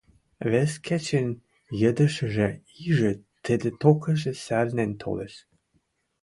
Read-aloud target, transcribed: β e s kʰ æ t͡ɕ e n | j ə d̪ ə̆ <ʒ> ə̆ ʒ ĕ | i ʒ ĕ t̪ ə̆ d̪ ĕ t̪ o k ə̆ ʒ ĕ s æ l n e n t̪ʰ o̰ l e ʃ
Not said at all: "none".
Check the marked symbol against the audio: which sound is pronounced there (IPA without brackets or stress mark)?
ʃ